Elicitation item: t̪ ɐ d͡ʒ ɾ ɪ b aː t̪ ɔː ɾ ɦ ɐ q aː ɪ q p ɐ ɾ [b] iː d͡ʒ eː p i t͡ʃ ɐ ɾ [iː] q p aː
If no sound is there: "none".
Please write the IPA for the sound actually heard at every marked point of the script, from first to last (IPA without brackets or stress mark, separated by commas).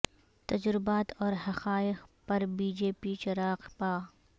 b, aː